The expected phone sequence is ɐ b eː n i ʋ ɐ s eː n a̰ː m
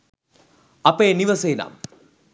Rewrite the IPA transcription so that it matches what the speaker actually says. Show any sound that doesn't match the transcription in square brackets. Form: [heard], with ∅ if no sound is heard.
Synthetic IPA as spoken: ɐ [p] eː n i ʋ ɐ s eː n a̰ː m